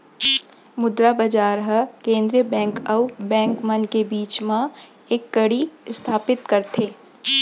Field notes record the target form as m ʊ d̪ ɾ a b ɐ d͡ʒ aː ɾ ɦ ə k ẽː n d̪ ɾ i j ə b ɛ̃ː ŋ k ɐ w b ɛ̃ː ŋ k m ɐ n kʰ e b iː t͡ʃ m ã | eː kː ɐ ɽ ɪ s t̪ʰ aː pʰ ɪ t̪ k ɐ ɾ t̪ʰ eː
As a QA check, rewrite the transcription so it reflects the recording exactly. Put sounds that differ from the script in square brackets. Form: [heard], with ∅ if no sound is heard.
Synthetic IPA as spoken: m ʊ d̪ ɾ a b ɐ d͡ʒ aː ɾ ɦ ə k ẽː n d̪ ɾ i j ə b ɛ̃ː ŋ k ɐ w b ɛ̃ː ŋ k m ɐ n [k] e b iː t͡ʃ m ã | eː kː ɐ ɽ [i] s t̪ʰ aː [p] ɪ t̪ k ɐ ɾ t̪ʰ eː